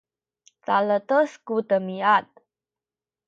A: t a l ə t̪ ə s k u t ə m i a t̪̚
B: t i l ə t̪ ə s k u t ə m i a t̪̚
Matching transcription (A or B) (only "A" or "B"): A